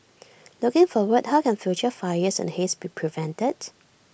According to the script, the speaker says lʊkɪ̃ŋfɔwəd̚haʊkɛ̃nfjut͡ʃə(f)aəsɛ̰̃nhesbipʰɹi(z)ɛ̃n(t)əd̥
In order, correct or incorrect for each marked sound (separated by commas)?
correct, incorrect, correct